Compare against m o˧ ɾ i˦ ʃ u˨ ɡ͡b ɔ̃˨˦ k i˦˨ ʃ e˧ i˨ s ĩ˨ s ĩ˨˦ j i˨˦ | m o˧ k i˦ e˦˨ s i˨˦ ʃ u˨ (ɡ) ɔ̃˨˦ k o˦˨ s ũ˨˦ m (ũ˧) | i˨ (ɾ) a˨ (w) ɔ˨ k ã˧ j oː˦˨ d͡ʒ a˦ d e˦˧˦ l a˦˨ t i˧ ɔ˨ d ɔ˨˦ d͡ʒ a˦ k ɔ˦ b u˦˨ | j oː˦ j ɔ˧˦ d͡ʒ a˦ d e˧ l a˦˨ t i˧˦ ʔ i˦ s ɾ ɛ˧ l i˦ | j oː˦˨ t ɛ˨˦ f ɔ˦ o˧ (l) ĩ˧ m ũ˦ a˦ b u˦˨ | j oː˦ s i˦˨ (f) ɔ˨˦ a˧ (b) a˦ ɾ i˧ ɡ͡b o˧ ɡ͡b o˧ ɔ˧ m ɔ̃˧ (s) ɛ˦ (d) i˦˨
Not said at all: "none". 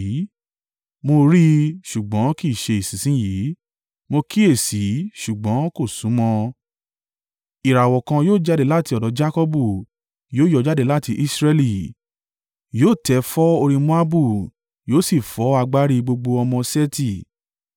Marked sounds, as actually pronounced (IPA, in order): ɡ͡b, ɔ̃˧, ɾ, w, ɾ, f, ɡ͡b, s, t

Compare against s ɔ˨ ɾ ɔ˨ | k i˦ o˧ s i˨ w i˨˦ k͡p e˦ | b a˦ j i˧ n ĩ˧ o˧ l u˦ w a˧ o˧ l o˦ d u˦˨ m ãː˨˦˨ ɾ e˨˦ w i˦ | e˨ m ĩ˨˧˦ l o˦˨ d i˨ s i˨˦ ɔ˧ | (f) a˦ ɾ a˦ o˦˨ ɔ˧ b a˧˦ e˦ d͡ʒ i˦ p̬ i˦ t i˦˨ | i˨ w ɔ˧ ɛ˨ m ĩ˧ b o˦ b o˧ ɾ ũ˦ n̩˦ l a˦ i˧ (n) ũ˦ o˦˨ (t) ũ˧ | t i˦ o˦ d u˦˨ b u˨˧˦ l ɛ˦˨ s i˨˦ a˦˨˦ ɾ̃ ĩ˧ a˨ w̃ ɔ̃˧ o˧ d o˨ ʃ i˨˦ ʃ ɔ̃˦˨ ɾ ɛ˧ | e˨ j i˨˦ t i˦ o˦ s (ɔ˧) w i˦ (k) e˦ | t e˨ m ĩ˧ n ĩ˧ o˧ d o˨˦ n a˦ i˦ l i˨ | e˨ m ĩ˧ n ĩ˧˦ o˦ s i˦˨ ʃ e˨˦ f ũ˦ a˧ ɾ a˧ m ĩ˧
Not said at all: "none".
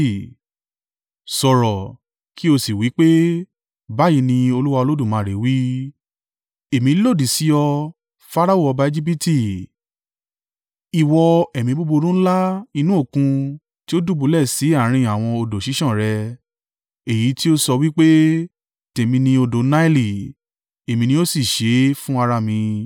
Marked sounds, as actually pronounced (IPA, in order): f, n, k, ɔ˧, k͡p

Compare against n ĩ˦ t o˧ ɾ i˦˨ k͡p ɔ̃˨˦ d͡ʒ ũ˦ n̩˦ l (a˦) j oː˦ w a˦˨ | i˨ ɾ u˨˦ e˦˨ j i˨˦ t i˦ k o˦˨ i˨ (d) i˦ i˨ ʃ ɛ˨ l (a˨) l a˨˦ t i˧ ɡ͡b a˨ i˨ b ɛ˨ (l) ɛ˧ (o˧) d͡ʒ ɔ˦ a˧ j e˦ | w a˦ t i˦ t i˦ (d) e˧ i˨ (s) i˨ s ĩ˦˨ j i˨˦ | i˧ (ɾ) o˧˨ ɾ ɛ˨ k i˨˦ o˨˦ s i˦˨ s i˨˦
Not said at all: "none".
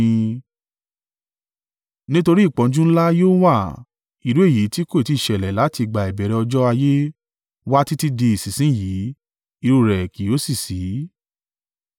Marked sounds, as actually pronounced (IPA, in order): a˦, t, ɛ˨, ɾ, ɔ˧, d, s, ɾ

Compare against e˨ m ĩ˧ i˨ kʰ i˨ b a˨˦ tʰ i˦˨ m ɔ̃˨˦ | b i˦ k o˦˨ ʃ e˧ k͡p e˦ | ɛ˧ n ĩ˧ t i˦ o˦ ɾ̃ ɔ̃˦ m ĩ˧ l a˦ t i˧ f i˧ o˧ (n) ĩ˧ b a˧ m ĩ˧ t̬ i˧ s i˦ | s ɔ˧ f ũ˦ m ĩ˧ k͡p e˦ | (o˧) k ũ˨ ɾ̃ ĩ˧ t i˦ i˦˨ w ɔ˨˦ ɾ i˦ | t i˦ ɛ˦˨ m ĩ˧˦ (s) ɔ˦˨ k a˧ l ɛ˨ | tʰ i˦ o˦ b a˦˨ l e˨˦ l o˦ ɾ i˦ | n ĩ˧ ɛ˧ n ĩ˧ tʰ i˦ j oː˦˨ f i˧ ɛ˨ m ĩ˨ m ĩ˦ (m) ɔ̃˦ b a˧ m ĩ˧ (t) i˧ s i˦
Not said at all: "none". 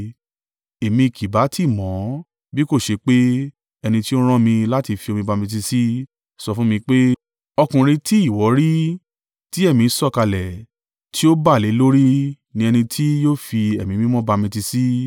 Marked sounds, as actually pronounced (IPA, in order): m, ɔ˧, s, m, t

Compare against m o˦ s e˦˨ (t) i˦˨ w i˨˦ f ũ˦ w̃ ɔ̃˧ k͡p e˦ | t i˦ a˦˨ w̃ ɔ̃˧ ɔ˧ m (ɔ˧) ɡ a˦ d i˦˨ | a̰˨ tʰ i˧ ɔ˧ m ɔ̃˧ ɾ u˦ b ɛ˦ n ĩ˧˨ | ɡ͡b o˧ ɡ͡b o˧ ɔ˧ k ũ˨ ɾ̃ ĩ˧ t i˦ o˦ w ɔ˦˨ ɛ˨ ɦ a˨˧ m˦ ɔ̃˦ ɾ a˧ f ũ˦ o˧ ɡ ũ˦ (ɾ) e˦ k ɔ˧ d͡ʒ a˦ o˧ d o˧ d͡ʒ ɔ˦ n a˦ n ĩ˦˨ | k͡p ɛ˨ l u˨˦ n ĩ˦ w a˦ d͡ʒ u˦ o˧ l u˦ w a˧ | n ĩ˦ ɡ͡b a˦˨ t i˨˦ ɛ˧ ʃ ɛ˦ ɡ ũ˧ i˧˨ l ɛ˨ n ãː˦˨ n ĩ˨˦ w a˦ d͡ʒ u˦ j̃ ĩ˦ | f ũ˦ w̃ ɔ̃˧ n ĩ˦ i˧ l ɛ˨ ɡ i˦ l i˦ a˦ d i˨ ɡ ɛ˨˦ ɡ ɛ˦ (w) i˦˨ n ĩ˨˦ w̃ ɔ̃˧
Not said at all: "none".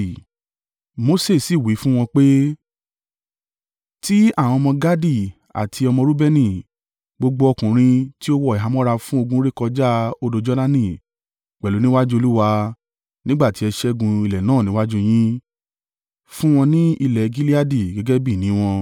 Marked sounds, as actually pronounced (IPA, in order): s, ɔ̃˧, ɾ, b

